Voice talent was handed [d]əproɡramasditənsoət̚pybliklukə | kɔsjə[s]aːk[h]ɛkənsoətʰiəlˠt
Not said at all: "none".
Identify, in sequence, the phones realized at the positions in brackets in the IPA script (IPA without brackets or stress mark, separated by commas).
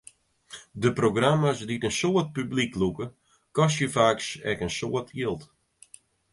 d, f, s